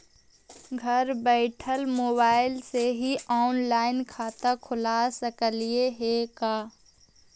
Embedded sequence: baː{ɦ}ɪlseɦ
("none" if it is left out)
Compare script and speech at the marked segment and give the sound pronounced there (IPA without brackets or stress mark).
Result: none